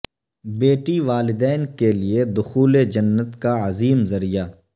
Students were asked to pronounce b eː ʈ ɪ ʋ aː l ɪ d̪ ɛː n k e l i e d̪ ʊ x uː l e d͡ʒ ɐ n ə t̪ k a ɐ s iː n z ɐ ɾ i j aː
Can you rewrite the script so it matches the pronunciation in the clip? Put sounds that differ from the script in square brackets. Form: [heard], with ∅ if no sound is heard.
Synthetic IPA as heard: b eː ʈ [i] ʋ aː l ɪ d̪ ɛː n k e l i e d̪ ʊ x uː l e d͡ʒ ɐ [nː] ə t̪ k a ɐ [z] iː [m] z ɐ ɾ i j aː